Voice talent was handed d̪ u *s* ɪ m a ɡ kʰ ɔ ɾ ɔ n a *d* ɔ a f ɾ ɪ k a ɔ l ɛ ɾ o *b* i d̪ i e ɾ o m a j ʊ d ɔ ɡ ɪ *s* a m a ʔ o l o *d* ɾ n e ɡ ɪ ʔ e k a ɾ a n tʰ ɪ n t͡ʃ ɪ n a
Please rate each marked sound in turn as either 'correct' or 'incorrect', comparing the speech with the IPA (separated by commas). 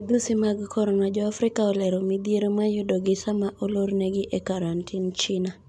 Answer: correct, incorrect, incorrect, correct, incorrect